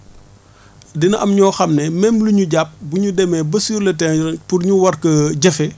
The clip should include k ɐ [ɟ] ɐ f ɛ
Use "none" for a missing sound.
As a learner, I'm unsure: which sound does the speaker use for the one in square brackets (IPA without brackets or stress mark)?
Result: ɟ